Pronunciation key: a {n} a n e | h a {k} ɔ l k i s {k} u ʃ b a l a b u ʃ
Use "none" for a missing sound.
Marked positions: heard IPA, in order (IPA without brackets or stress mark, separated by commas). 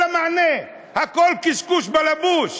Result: m, k, k